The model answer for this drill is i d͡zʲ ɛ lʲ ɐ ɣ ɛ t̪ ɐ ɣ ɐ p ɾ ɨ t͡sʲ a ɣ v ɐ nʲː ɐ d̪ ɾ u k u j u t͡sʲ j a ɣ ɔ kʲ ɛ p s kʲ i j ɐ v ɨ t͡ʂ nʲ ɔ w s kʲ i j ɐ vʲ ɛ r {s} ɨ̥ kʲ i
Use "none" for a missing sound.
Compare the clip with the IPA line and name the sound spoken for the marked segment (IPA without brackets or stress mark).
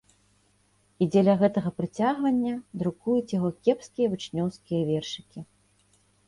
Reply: ʂ